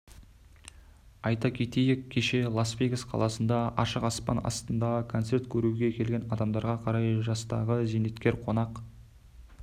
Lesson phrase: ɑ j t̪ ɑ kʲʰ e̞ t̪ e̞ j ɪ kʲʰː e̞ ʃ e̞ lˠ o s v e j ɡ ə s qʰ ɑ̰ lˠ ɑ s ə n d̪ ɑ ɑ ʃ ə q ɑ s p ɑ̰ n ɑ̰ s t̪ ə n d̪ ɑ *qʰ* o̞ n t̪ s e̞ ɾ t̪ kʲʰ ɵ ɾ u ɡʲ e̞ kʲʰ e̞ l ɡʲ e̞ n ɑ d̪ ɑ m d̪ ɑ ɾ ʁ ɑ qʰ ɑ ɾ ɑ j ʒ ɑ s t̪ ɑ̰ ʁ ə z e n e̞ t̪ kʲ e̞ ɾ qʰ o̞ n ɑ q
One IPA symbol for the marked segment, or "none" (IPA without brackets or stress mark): kʰ